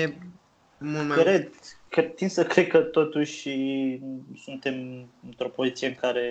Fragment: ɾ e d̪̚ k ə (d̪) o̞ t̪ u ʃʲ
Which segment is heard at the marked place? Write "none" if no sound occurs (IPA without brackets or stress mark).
t̪